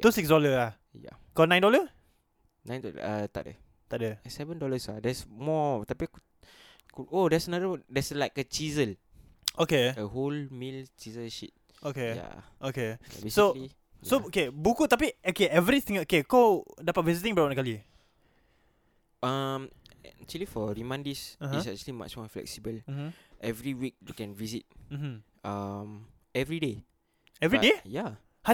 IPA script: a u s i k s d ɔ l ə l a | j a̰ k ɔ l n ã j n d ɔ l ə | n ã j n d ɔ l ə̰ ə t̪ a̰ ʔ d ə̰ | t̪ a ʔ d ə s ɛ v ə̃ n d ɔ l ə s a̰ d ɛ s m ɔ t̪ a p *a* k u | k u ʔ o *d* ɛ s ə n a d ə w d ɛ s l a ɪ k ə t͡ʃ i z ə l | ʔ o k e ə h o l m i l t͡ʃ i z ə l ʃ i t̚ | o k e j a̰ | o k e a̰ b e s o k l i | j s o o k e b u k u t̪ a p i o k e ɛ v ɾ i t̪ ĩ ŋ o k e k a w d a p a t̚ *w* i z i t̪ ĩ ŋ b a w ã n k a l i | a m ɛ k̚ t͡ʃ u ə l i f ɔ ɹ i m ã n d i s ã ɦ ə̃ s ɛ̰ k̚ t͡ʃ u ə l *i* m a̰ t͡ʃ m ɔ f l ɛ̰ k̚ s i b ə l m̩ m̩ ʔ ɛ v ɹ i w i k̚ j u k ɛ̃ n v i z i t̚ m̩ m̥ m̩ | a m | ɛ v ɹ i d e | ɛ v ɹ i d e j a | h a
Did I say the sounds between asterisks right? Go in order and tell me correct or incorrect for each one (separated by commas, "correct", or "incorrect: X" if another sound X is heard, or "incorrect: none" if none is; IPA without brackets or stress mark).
incorrect: i, correct, incorrect: v, correct